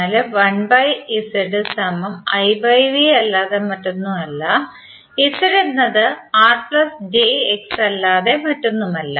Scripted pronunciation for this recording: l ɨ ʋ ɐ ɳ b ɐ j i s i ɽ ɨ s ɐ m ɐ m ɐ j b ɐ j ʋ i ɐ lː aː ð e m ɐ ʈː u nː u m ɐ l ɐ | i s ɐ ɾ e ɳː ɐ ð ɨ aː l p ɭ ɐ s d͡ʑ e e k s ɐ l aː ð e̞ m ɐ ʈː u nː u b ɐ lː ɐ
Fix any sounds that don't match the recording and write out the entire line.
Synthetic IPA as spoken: l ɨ ʋ ɐ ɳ b ɐ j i s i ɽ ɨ s ɐ m ɐ m ɐ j b ɐ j ʋ i ɐ lː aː ð e m ɐ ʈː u nː u m ɐ lː ɐ | i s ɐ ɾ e nː ɐ ð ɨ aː r p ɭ ɐ s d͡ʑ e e k s ɐ lː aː ð e̞ m ɐ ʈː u nː u m ɐ lː ɐ

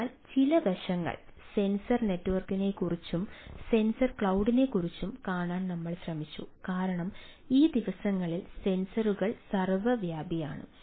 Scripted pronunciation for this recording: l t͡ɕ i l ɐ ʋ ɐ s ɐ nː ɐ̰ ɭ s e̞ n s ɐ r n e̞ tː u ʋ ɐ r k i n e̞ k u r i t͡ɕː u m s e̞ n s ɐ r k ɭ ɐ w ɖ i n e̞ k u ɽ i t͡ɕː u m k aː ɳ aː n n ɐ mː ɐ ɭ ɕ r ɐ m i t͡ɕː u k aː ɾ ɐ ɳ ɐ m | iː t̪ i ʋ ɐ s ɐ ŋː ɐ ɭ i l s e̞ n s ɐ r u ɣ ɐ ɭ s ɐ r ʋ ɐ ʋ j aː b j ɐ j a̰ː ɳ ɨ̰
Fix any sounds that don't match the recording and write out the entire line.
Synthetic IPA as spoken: l t͡ɕ i l ɐ ʋ ɐ ʂ ɐ ŋː ɐ̰ ɭ s e̞ n s ɐ r n e̞ tː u ʋ ɐ r k i n e̞ k u r i t͡ɕː u m s e̞ n s ɐ r k ɭ ɐ w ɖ i n e̞ k u r i t͡ɕː u m k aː ɳ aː n n ɐ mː ɐ ɭ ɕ r ɐ m i t͡ɕː u k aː ɾ ɐ ɳ ɐ m | iː d̪ i ʋ ɐ s ɐ ŋː ɐ ɭ i l s e̞ n s ɐ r u ɣ ɐ ɭ s ɐ r ʋ ɐ ʋ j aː b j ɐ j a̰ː ɳ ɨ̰

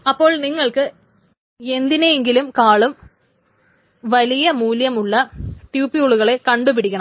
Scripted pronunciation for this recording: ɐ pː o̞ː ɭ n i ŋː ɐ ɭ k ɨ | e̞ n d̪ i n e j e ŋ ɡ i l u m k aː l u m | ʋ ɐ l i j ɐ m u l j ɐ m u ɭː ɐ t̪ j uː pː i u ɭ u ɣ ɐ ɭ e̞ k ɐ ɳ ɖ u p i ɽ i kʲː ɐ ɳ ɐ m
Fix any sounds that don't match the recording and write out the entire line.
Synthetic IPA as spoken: ɐ pː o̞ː ɭ n i ŋː ɐ ɭ k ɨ | e̞ n d̪ i n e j e ŋ ɡ i l u m k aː ɭ u m | ʋ ɐ l i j ɐ m uː l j ɐ m u ɭː ɐ t̪ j uː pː i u ɭ u ɣ ɐ ɭ e̞ k ɐ ɳ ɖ u p i ɽ i kʲː ɐ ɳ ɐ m

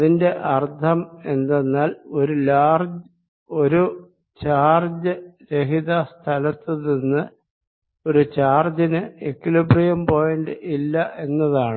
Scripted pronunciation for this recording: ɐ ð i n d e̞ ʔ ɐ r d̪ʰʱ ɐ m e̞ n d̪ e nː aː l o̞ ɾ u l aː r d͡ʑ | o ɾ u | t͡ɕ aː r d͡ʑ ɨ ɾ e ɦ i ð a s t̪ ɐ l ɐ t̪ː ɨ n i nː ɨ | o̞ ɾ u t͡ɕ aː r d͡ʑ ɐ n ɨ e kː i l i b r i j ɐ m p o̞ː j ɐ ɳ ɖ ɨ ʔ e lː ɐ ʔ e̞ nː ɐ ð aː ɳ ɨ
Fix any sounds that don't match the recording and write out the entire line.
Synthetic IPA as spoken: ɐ ð i n d e̞ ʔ ɐ r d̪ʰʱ ɐ m e̞ n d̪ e nː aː l o̞ ɾ u l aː r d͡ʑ | o ɾ u | t͡ɕ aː r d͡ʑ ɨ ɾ e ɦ i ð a s t̪ʰ ɐ l ɐ t̪ː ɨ n i nː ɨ | o̞ ɾ u t͡ɕ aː r d͡ʑ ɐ n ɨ e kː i l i b r i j ɐ m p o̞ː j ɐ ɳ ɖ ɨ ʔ i lː ɐ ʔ e̞ nː ɐ ð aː ɳ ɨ

